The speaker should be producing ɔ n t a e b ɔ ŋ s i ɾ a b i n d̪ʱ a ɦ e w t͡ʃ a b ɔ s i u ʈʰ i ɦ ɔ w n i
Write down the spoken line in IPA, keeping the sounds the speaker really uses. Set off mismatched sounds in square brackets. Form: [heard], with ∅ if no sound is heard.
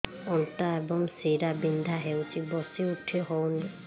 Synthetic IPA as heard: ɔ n t a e b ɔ ŋ s i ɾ a b i n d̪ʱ a ɦ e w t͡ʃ [i] b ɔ s i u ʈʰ i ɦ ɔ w n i